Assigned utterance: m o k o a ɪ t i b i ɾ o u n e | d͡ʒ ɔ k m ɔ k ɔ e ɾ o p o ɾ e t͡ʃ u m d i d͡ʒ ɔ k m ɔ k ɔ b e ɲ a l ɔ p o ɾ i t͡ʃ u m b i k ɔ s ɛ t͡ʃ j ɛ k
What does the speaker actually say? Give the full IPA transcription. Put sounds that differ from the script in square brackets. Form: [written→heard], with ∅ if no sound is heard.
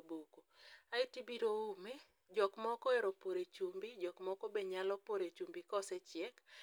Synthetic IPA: [m→b] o k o a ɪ t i b i ɾ o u [n→m] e | d͡ʒ ɔ k m ɔ k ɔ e ɾ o p o ɾ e t͡ʃ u m [d→b] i d͡ʒ ɔ k m ɔ k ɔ b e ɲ a l ɔ p o ɾ [i→e] t͡ʃ u m b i k ɔ s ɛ t͡ʃ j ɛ k